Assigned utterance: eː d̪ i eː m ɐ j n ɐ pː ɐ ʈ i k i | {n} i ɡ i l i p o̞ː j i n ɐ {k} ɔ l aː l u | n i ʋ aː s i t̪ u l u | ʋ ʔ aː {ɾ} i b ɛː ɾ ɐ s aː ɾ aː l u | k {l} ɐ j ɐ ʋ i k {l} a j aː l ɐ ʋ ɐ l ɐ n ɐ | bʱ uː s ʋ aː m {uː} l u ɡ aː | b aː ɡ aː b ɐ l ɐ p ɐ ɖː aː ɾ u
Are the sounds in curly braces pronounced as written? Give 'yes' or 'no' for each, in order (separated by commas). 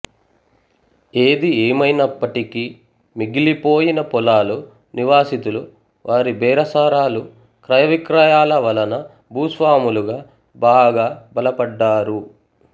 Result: no, no, yes, no, no, no